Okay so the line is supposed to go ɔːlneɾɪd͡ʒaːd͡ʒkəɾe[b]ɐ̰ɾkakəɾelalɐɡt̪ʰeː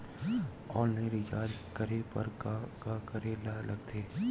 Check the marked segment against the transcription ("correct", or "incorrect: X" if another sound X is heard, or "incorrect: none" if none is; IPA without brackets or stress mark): incorrect: p